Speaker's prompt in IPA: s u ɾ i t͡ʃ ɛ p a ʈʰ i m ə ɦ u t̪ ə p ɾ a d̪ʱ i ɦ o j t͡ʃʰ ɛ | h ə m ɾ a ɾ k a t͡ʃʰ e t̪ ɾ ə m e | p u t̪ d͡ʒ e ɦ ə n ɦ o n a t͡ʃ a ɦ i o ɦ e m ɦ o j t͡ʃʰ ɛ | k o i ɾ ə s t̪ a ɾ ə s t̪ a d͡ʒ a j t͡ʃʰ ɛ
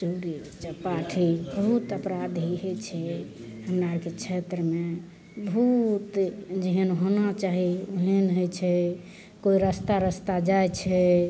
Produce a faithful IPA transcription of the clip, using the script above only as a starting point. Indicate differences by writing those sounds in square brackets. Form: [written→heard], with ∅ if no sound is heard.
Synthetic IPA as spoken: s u ɾ i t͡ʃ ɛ p a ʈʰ i [m→b] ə ɦ u t̪ ə p ɾ a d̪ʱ i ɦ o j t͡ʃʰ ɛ | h ə m ɾ a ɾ k [a→e] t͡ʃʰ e t̪ ɾ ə m e | [p→b] u t̪ d͡ʒ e ɦ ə n ɦ o n a t͡ʃ a ɦ i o ɦ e [m→n] ɦ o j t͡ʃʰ ɛ | k o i ɾ ə s t̪ a ɾ ə s t̪ a d͡ʒ a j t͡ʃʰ ɛ

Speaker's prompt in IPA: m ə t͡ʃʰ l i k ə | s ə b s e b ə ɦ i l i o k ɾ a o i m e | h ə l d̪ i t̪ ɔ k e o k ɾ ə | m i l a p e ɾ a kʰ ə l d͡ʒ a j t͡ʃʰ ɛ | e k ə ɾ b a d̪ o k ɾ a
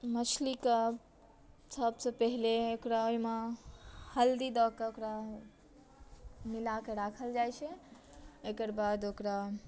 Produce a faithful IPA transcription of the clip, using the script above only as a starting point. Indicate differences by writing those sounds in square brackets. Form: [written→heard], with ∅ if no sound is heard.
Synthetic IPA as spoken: m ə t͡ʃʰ l i k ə | s ə b s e [b→p] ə ɦ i l [i→e] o k ɾ a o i m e | h ə l d̪ i [t̪→d̪] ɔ k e o k ɾ [ə→a] | m i l a [p→k] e ɾ a kʰ ə l d͡ʒ a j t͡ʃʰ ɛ | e k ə ɾ b a d̪ o k ɾ a

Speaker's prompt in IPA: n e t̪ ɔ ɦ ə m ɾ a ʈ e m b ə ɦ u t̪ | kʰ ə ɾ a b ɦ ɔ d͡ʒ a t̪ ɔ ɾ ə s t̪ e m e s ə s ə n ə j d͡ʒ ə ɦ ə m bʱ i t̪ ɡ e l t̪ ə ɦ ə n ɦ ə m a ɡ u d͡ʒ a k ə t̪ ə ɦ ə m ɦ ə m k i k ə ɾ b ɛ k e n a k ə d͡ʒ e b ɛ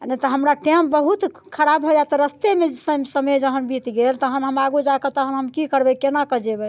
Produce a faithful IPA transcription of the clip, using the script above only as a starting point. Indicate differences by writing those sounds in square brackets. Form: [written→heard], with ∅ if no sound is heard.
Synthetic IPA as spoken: n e t̪ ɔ ɦ ə m ɾ a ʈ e m b ə ɦ u t̪ | kʰ ə ɾ a b ɦ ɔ d͡ʒ a t̪ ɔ ɾ ə s t̪ e m e s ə s ə [n→m] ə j d͡ʒ ə ɦ ə [m→n] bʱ i t̪ ɡ e l t̪ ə ɦ ə n ɦ ə m a ɡ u d͡ʒ a k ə t̪ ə ɦ ə [m→n] ɦ ə m k i k ə ɾ b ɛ k e n a k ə d͡ʒ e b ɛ

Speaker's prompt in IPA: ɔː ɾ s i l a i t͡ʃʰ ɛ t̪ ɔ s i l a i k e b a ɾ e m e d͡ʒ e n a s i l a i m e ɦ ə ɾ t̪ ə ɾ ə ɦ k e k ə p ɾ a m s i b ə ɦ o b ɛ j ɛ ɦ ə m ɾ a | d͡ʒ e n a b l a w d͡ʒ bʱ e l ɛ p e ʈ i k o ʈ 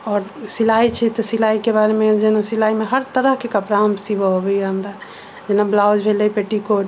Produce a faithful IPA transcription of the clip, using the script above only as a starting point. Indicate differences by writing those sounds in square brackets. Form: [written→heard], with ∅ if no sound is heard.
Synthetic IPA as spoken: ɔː ɾ s i l a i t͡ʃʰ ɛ t̪ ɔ s i l a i k e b a ɾ e m e d͡ʒ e n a s i l a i m e ɦ ə ɾ t̪ ə ɾ ə ɦ k e k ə p ɾ a m s i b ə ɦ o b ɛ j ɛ ɦ ə m ɾ a | d͡ʒ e n a b l a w d͡ʒ bʱ e l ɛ p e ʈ i k o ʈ

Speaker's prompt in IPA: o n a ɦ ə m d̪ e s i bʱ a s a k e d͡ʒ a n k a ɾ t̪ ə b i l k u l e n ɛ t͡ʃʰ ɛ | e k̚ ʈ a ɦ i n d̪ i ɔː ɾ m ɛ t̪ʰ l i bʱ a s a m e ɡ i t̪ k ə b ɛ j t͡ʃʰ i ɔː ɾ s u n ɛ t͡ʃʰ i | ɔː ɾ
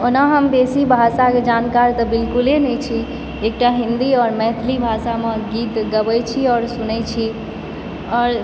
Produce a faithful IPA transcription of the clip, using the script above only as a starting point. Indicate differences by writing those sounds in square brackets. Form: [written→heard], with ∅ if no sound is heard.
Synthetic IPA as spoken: o n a ɦ ə m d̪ e s i bʱ a s a k e d͡ʒ a n k a ɾ t̪ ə b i l k u l e n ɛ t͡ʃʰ [ɛ→i] | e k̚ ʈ a ɦ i n d̪ i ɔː ɾ m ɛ t̪ʰ l i bʱ a s a m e ɡ i t̪ [k→ɡ] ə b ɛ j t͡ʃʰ i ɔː ɾ s u n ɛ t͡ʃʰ i | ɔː ɾ

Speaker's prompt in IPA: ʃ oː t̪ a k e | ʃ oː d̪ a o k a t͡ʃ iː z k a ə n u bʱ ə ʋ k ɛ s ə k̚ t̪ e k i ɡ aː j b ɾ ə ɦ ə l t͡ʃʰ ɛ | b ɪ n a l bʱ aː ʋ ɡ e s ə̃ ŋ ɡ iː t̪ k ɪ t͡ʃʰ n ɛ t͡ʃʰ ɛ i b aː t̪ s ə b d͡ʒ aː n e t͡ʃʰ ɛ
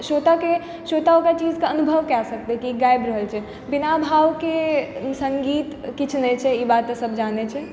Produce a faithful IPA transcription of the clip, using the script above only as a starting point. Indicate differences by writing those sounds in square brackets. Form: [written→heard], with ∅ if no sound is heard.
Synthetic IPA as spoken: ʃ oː t̪ a k e | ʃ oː [d̪→t̪] a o k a t͡ʃ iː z k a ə n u bʱ ə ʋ k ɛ s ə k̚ t̪ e k i ɡ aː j b ɾ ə ɦ ə l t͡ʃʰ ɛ | b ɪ n a [l→∅] bʱ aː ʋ [ɡ→k] e s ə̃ ŋ ɡ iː t̪ k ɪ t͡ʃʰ n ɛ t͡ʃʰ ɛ i b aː t̪ s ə b d͡ʒ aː n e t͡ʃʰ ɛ

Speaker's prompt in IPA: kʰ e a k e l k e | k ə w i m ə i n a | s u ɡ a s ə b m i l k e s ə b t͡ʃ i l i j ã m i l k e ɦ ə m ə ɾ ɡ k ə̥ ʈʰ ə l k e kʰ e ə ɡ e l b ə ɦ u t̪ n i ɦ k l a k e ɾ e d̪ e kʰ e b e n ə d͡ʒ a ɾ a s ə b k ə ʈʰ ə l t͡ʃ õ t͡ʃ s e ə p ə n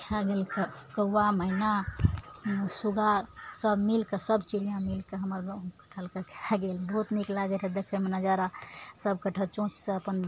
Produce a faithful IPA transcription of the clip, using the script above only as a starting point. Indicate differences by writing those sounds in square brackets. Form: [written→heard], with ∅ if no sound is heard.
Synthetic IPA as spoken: kʰ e a [k→ɡ] e l k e | k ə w [i→a] m ə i n a | s u ɡ a s ə b m i l k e s ə b t͡ʃ i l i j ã m i l k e ɦ ə m ə ɾ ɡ k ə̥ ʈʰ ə l k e kʰ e [ə→a] ɡ e l b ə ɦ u t̪ n i [ɦ→∅] k l a [k→ɡ] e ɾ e d̪ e kʰ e [b→m] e n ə d͡ʒ a ɾ a s ə b k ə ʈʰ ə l t͡ʃ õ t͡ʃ s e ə p ə n

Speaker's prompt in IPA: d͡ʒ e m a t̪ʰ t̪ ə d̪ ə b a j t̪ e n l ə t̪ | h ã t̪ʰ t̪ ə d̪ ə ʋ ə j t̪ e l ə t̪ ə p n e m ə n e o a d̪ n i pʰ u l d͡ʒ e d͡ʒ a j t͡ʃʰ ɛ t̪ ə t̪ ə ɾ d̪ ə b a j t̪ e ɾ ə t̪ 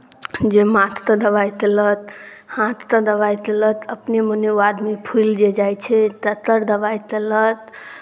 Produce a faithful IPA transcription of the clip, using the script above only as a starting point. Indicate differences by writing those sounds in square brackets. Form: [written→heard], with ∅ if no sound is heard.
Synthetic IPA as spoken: d͡ʒ e m a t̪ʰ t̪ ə d̪ ə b a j t̪ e [n→∅] l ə t̪ | h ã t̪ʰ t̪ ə d̪ ə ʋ [ə→a] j t̪ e l ə t̪ ə p n e m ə n e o a d̪ [n→m] i pʰ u l d͡ʒ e d͡ʒ a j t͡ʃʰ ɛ t̪ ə t̪ ə ɾ d̪ ə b a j t̪ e [ɾ→l] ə t̪

